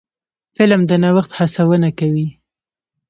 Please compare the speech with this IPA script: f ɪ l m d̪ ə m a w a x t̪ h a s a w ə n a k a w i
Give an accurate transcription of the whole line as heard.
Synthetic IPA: f ɪ l m d̪ ə n a w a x t̪ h a s a w ə n a k a w i